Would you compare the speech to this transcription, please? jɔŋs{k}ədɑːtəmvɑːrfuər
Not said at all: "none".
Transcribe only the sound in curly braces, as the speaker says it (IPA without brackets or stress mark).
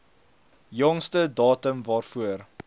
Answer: t